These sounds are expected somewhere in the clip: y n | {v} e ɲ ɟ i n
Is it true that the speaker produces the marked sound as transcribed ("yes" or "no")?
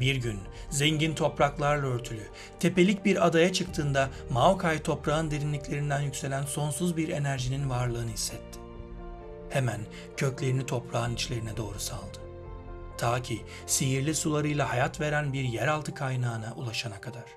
no